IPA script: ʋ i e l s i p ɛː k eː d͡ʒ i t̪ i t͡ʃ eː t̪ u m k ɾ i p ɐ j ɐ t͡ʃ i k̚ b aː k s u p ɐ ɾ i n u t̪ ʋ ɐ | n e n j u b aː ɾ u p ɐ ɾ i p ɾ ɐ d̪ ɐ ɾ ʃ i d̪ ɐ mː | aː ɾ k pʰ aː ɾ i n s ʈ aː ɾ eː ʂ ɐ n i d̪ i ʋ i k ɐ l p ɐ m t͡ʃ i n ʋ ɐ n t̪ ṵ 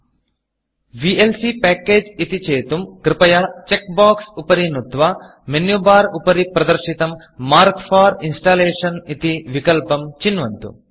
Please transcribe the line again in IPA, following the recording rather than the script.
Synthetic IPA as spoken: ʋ i e l s i p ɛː k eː d͡ʒ i t̪ i t͡ʃ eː t̪ u m k ɾ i p ɐ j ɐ t͡ʃ e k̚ b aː k s u p ɐ ɾ i n u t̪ ʋ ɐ | m e n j u b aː ɾ u p ɐ ɾ i p ɾ ɐ d̪ ɐ ɾ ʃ i t̪ ɐ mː | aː ɾ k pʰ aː ɾ i n s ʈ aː l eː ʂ ɐ n i t̪ i ʋ i k ɐ l p ɐ m t͡ʃ i n ʋ ɐ n t̪ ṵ